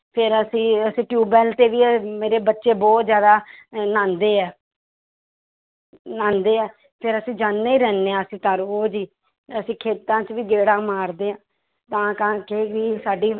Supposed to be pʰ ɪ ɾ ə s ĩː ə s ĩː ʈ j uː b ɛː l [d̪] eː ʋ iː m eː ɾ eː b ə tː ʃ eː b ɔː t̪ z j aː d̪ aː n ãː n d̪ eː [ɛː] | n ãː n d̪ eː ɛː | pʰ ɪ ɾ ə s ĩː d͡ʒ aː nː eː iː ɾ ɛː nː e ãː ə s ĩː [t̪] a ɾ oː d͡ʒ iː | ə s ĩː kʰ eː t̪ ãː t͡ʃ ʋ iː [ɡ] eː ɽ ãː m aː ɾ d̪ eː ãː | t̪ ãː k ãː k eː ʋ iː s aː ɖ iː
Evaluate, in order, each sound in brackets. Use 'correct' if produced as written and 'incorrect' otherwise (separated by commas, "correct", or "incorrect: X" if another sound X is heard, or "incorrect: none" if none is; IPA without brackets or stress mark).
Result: incorrect: t̪, correct, correct, correct